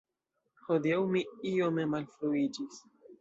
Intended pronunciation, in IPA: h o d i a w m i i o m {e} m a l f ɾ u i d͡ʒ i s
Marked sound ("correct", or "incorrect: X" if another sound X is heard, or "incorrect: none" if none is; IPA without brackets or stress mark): correct